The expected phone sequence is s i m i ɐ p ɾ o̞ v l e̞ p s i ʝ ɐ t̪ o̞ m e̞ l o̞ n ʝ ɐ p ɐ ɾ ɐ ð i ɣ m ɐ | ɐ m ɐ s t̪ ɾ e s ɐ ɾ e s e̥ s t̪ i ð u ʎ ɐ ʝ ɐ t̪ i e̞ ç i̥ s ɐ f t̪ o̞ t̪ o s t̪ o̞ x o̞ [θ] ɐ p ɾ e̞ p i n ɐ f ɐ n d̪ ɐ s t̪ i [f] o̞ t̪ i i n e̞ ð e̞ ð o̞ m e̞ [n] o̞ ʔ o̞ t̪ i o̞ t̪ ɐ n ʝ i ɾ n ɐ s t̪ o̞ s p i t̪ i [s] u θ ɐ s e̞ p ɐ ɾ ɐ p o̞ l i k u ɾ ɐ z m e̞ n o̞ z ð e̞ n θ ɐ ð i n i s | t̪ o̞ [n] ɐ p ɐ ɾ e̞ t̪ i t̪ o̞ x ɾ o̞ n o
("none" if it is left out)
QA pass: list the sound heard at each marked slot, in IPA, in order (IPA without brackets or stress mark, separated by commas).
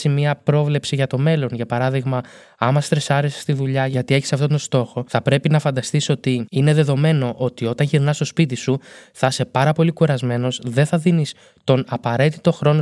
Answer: θ, s, n, s, n